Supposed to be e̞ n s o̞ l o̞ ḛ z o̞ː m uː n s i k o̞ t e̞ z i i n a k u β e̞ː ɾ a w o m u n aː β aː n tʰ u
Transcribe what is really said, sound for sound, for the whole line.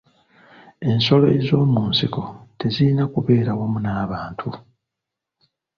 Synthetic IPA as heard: e̞ n s o̞ l o̞ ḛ z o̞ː m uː n s i k o̞ t e̞ z i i n a k u β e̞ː ɾ a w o m u n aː β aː n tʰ u